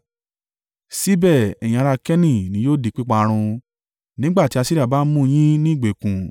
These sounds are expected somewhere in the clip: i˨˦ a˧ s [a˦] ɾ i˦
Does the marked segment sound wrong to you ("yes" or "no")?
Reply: yes